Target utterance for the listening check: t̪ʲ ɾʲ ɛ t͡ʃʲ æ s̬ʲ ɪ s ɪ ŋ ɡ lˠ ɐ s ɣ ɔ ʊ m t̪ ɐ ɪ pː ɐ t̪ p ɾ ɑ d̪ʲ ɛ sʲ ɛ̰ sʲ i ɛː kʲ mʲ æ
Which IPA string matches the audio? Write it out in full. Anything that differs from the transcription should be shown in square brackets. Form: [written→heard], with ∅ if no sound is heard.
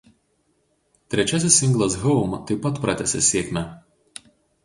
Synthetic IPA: t̪ʲ ɾʲ ɛ t͡ʃʲ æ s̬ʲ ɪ s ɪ ŋ ɡ lˠ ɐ s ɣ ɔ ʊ m t̪ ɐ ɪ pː ɐ t̪ p ɾ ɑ [d̪ʲ→t̪ʲ] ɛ sʲ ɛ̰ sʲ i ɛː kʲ mʲ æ